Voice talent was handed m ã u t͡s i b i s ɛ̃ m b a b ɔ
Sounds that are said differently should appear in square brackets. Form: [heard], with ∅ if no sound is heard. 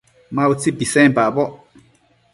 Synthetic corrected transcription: m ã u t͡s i b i s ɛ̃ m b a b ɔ